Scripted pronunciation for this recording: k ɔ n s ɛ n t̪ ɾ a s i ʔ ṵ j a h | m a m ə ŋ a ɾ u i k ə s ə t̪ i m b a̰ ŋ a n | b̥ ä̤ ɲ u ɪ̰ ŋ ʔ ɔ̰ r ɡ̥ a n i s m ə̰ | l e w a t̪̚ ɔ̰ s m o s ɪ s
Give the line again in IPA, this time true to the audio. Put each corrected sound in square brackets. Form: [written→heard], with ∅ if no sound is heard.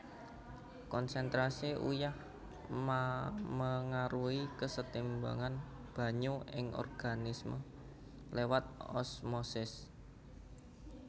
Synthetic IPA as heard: k ɔ n s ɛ n t̪ ɾ a s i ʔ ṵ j a h | m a m ə ŋ a ɾ u i k ə s ə t̪ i m b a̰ ŋ a n | b̥ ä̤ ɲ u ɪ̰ ŋ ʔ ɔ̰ r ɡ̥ a n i s m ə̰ | l e w a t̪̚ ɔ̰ s m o s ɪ s